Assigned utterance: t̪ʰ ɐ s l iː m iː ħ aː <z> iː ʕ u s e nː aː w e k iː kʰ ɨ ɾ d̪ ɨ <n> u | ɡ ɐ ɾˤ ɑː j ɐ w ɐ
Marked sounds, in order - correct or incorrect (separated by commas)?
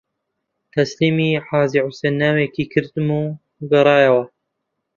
correct, incorrect